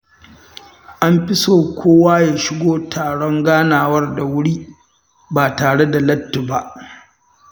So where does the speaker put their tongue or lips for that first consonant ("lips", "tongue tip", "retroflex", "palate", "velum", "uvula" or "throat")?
throat